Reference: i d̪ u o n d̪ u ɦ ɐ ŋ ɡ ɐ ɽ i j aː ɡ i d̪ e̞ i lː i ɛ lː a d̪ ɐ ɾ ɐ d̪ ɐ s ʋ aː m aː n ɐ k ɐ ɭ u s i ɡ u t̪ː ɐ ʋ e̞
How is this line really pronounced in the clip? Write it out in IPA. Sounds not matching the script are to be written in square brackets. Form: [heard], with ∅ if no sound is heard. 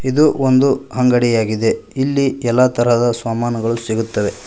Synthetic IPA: i d̪ u o n d̪ u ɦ ɐ ŋ ɡ ɐ ɽ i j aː ɡ i d̪ e̞ i lː i ɛ lː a [t̪] ɐ ɾ ɐ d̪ ɐ s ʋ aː m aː n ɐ [ɡ] ɐ ɭ u s i ɡ u t̪ː ɐ ʋ e̞